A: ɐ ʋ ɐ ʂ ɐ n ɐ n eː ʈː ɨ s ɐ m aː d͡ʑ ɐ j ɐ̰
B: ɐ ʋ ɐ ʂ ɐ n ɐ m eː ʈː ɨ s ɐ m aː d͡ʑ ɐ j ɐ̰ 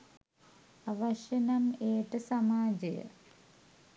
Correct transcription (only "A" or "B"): B